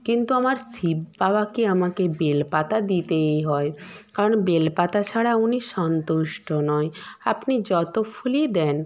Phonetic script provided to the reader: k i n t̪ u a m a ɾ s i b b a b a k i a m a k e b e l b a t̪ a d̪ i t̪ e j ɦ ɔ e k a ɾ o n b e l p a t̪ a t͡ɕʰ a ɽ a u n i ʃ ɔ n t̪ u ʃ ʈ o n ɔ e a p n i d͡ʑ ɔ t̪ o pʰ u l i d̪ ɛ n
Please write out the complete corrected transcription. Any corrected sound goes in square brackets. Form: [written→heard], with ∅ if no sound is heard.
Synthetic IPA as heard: k i n t̪ u a m a ɾ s i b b a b a k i a m a k e b e l [b→p] a t̪ a d̪ i t̪ e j ɦ ɔ e k a ɾ o n b e l p a t̪ a t͡ɕʰ a ɽ a u n i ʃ ɔ n t̪ u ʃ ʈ o n ɔ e a p n i d͡ʑ ɔ t̪ o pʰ u l i d̪ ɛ n